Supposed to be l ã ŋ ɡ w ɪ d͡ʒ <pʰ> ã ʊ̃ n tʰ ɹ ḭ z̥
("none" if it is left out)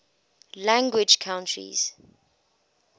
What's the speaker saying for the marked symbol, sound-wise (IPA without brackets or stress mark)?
kʰ